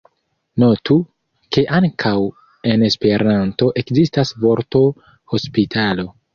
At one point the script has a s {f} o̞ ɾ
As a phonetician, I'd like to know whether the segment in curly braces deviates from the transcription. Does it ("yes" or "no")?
yes